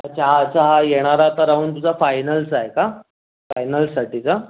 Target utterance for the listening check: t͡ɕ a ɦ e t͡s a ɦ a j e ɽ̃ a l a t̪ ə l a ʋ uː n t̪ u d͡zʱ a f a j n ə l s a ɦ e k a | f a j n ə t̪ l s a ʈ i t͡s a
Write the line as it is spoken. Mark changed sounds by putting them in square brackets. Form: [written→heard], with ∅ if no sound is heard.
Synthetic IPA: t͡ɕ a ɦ [e→a] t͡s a ɦ a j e ɽ̃ a [l→ɾ] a t̪ ə [l→ɾ] a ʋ uː n t̪ u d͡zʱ a f a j n ə l s a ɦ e k a | f a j n ə [t̪→∅] l s a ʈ i t͡s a